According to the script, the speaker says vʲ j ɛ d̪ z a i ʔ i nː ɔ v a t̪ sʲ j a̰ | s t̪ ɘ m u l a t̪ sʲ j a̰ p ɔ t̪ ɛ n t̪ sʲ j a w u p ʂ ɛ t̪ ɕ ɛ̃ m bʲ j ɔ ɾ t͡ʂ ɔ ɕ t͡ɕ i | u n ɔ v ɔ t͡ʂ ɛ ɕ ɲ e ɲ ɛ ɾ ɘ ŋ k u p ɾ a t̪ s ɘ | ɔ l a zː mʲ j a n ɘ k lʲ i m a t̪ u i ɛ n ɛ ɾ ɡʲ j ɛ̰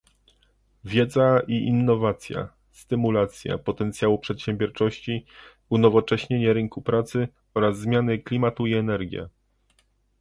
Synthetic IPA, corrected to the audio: vʲ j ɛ d̪ z a i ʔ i nː ɔ v a t̪ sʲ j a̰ | s t̪ ɘ m u l a t̪ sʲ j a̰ p ɔ t̪ ɛ n t̪ sʲ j a w u p ʂ ɛ t̪ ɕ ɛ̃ m bʲ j ɔ ɾ t͡ʂ ɔ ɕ t͡ɕ i | u n ɔ v ɔ t͡ʂ ɛ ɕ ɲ e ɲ ɛ ɾ ɘ ŋ k u p ɾ a t̪ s ɘ | ɔ ɾ a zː mʲ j a n ɘ k lʲ i m a t̪ u i ɛ n ɛ ɾ ɡʲ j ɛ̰